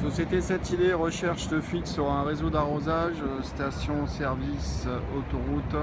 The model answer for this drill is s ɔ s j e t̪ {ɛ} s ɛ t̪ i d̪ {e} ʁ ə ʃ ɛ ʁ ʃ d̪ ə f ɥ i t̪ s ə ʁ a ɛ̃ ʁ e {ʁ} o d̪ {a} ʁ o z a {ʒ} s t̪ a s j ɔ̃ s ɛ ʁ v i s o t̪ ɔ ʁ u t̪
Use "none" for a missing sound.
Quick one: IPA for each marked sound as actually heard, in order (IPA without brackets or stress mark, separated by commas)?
e, e, z, a, ʒ